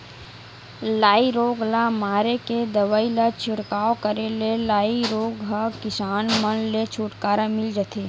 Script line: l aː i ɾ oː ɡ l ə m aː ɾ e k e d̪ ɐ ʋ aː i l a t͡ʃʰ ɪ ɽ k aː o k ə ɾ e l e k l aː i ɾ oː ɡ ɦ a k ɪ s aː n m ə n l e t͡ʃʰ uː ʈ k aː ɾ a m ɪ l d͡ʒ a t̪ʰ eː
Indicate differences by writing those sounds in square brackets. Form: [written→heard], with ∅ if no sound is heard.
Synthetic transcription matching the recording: l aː i ɾ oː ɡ l [ə→a] m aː ɾ e k e d̪ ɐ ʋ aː i l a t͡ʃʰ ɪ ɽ k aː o k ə ɾ e l e [k→∅] l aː i ɾ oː ɡ ɦ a k ɪ s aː n m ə n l e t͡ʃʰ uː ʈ k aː ɾ a m ɪ l d͡ʒ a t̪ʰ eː